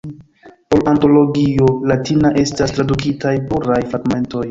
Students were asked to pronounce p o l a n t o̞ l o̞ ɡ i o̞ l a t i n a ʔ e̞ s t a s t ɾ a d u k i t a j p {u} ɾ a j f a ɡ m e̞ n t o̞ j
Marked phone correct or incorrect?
correct